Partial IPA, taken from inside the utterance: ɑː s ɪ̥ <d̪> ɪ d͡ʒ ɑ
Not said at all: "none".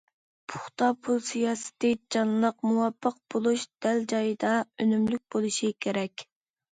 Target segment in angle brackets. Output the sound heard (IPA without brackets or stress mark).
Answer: t̪